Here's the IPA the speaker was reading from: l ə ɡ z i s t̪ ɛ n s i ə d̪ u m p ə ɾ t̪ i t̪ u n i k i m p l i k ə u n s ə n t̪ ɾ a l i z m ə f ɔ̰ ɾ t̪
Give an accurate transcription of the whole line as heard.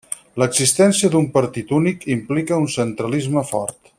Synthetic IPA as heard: l ə ɡ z i s t̪ ɛ n s i ə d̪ u m p ə ɾ t̪ i t̪ u n i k i m p l i k ə u n s ə n t̪ ɾ ə l i z m ə f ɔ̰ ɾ t̪